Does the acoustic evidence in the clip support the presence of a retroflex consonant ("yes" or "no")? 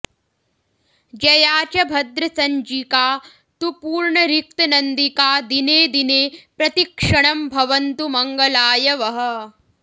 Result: yes